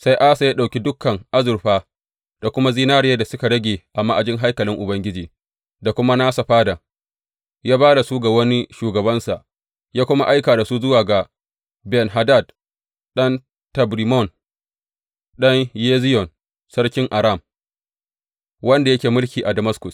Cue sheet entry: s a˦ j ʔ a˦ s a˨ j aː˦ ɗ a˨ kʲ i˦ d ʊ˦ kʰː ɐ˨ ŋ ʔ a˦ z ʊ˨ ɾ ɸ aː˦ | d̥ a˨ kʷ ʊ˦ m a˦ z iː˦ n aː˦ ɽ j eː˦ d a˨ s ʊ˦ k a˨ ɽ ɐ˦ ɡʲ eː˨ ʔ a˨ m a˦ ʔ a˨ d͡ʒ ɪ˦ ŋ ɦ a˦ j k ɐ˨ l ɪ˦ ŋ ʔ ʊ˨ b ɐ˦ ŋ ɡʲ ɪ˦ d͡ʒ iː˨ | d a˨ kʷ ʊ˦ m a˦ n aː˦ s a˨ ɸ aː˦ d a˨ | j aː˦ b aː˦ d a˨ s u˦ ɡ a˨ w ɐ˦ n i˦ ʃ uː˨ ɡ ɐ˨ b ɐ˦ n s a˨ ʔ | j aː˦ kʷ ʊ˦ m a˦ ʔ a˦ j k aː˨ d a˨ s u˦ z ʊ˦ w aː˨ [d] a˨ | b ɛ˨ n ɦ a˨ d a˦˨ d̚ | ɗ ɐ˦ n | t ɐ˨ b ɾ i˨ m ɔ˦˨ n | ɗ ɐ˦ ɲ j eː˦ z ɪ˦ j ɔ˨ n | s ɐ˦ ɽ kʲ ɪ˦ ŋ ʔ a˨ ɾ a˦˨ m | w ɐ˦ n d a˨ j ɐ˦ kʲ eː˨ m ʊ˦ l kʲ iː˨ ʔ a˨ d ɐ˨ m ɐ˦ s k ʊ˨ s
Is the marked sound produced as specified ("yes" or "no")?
no